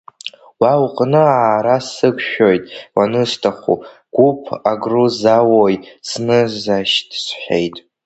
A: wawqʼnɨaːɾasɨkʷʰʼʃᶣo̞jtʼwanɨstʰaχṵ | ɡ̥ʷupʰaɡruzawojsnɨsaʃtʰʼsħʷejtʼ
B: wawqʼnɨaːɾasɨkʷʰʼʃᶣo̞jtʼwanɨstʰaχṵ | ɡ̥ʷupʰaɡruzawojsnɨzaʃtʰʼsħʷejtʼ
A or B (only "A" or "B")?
B